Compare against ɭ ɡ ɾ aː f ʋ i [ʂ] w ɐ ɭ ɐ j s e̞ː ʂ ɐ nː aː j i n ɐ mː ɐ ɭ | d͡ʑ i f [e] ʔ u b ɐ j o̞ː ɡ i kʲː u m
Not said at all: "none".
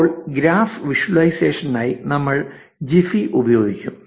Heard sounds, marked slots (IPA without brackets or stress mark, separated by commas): ʂ, i